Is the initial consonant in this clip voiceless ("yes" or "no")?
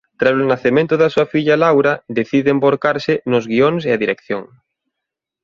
yes